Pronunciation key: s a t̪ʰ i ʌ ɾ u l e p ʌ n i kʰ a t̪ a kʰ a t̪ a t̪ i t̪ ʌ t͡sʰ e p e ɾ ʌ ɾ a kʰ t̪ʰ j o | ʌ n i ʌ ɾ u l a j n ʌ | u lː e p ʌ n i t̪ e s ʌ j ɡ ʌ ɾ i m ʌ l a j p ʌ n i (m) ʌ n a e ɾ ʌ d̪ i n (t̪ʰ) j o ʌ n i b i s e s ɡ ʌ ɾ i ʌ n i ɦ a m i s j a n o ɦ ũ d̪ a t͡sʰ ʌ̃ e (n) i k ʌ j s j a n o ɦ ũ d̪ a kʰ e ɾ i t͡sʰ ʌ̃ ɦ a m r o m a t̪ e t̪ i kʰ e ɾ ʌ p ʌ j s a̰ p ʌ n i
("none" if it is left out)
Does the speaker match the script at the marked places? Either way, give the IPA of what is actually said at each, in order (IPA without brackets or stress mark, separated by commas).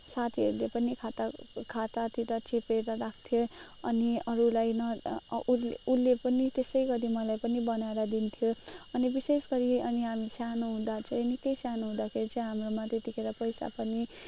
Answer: b, t̪ʰ, n